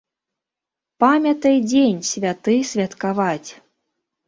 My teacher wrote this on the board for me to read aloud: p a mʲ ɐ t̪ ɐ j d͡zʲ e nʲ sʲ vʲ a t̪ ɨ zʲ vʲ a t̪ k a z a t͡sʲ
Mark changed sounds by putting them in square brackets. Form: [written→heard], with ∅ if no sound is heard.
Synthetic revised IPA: p a mʲ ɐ t̪ ɐ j d͡zʲ e nʲ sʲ vʲ a t̪ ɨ [zʲ→sʲ] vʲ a t̪ k a [z→v] a t͡sʲ